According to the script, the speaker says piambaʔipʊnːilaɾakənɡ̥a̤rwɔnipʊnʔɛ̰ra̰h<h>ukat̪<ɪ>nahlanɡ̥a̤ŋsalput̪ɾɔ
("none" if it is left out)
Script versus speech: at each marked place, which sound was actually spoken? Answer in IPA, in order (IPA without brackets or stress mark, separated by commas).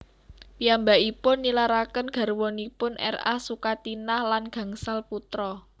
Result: s, i